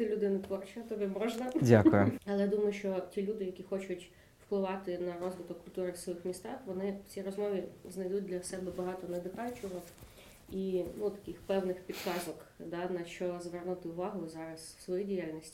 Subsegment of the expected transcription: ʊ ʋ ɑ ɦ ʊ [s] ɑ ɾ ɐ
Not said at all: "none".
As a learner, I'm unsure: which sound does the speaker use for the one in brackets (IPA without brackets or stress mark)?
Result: z